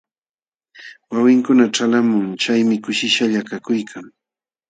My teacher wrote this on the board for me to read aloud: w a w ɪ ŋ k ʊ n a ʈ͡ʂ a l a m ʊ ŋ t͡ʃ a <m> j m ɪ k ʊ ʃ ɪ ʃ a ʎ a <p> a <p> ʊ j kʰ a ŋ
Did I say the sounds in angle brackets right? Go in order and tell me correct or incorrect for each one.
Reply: incorrect, incorrect, incorrect

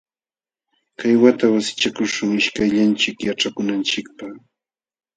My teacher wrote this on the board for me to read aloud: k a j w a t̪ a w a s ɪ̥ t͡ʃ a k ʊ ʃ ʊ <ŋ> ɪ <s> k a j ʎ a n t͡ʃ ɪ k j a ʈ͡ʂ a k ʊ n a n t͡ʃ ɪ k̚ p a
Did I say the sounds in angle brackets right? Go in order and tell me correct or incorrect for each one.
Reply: correct, incorrect

